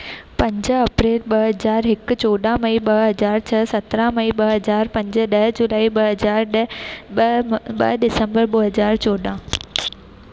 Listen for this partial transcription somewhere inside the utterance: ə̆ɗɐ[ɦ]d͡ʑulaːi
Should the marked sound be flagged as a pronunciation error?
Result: no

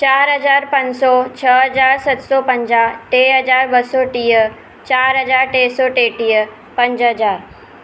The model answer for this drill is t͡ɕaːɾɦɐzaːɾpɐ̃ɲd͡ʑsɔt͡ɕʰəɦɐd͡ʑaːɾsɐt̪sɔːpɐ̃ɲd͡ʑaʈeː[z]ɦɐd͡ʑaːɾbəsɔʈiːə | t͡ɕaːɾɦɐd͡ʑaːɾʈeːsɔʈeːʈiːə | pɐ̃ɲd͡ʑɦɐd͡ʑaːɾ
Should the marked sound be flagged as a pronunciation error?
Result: yes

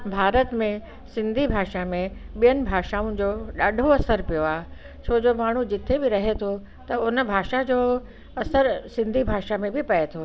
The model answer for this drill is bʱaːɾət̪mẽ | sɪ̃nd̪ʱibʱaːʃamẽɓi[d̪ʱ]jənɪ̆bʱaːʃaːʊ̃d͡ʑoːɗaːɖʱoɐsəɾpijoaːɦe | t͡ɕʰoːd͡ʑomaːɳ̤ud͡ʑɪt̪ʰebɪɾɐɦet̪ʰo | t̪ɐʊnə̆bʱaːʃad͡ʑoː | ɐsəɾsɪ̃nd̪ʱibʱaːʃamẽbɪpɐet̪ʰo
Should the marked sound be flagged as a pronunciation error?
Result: yes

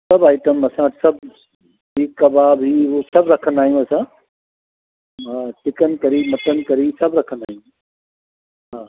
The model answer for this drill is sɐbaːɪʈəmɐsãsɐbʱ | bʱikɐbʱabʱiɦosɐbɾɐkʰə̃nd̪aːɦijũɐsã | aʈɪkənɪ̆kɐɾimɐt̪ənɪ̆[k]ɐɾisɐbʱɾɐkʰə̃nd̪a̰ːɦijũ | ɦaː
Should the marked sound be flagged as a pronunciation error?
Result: no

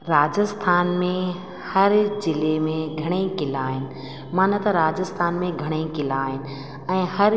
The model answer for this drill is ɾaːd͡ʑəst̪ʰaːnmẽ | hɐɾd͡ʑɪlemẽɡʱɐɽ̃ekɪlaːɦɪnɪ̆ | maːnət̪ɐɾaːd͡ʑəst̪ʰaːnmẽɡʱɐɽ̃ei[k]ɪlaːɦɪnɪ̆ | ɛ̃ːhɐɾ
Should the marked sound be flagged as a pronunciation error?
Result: no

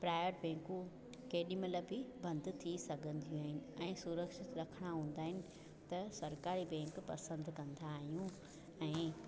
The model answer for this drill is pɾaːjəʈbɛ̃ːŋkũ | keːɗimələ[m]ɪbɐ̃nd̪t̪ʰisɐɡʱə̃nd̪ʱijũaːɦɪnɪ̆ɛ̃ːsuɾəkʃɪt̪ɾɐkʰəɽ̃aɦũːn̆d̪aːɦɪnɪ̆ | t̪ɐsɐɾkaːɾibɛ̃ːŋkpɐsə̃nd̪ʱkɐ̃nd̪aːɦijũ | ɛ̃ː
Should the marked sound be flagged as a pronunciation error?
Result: yes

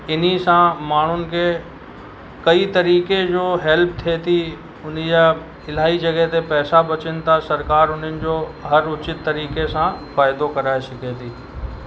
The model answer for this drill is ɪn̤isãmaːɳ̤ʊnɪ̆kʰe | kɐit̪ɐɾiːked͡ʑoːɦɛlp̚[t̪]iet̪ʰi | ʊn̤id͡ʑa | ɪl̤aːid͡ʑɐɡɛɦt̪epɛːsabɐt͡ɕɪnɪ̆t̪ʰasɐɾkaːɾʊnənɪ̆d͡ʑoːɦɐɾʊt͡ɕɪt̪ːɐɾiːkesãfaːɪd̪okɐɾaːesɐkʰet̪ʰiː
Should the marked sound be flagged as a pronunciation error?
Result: yes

